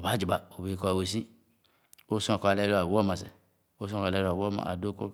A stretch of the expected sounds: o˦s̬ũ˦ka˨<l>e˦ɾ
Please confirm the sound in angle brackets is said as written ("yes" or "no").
yes